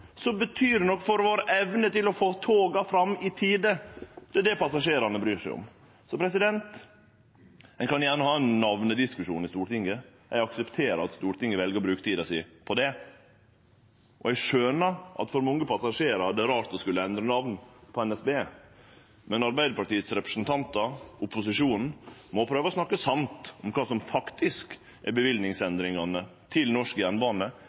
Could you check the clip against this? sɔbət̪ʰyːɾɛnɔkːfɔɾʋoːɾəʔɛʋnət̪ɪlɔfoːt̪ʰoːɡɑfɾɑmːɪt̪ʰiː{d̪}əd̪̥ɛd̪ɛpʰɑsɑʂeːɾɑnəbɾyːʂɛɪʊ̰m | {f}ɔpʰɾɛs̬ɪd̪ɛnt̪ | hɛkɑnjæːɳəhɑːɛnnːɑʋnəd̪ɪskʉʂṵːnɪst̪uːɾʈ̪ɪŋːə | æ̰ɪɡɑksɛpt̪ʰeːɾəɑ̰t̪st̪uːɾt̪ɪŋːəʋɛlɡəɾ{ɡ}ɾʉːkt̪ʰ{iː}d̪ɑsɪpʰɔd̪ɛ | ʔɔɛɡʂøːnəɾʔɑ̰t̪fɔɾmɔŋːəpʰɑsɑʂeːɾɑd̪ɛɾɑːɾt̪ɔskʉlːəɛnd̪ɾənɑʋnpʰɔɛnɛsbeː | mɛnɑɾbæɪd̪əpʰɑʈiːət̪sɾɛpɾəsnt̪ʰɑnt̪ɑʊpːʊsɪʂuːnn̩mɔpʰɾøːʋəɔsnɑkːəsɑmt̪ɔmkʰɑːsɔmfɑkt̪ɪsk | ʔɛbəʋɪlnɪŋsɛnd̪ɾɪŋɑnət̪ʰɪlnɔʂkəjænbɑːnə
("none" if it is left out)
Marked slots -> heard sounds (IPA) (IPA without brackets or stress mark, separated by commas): d̪, s, b, iː